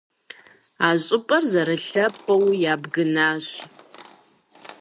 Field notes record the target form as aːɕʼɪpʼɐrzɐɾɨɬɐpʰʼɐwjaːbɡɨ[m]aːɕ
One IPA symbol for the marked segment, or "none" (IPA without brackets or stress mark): n